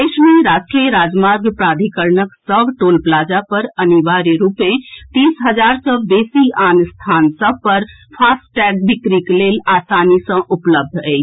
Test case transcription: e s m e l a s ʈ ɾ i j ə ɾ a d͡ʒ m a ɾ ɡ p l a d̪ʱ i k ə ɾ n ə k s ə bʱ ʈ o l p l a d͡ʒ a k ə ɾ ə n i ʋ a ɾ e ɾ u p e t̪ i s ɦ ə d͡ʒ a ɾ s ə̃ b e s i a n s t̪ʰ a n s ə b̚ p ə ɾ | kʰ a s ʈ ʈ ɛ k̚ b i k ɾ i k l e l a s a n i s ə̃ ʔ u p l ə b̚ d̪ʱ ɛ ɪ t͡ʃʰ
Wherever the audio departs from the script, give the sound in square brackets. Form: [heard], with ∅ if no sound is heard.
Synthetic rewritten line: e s m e [ɾ] a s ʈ ɾ i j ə ɾ a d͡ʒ m a ɾ ɡ p [ɾ] a d̪ʱ i k ə ɾ n ə k s ə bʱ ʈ o l p l a d͡ʒ a [p] ə ɾ ə n i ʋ a ɾ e ɾ u p e t̪ i s ɦ ə d͡ʒ a ɾ s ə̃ b e s i a n s t̪ʰ a n s ə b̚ p ə ɾ | [pʰ] a s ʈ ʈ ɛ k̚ b i k ɾ i k l e l a s a n i s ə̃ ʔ u p l ə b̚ d̪ʱ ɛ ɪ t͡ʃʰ